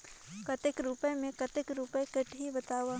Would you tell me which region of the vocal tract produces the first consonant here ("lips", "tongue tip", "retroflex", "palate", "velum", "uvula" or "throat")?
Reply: velum